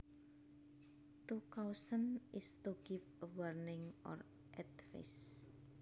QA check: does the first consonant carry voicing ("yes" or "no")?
no